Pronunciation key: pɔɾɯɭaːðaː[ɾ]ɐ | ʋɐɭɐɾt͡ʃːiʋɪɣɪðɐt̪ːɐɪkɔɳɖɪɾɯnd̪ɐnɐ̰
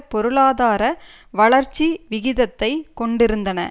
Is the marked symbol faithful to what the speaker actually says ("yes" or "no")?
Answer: yes